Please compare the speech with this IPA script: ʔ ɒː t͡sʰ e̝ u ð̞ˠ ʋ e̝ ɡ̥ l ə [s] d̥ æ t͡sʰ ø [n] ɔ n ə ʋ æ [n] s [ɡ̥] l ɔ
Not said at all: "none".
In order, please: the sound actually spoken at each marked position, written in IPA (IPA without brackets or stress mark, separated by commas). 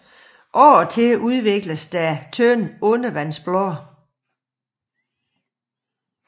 s, n, n, b̥